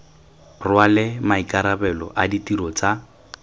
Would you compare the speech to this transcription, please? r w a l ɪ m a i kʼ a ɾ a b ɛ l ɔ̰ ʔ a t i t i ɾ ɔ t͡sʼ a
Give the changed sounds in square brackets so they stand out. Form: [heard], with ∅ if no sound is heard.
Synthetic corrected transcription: r w a l ɪ m a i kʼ a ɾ a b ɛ l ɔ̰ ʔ a [d] i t i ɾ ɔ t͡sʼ a